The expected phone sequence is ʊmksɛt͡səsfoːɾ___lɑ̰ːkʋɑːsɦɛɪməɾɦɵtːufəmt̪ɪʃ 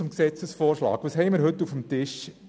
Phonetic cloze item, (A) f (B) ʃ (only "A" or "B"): B